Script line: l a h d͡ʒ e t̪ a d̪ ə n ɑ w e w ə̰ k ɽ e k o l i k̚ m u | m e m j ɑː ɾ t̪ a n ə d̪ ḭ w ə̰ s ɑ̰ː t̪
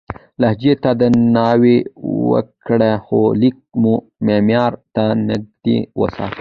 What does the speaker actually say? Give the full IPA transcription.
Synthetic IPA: l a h d͡ʒ e t̪ a d̪ ə n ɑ w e w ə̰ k ɽ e x o l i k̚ m u | m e m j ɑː ɾ t̪ a n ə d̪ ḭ w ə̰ s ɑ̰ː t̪